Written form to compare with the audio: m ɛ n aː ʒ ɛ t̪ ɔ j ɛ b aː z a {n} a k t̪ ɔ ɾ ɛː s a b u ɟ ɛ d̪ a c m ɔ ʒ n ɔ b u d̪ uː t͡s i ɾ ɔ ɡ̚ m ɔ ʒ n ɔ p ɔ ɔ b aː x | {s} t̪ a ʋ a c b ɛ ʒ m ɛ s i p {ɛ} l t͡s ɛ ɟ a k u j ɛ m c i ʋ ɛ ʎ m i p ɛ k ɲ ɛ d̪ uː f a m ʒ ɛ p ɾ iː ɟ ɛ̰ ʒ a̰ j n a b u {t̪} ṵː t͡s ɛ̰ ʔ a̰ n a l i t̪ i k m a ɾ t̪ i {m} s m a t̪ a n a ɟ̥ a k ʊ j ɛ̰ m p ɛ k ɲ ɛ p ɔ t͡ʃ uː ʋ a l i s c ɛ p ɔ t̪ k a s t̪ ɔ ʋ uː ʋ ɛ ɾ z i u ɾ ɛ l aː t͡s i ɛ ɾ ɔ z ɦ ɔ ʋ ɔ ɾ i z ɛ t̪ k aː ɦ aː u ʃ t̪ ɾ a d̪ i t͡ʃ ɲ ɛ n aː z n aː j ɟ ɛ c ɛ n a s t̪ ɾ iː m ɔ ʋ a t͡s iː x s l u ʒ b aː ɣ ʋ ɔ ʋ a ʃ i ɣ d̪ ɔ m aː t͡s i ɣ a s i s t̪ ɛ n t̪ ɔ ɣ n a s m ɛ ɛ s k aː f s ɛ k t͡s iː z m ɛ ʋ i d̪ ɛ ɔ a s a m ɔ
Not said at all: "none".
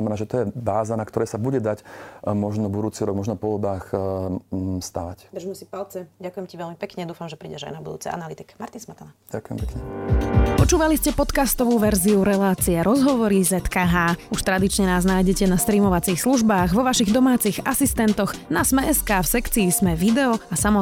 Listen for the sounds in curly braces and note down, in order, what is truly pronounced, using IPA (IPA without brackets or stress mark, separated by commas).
n, s, a, d̪, n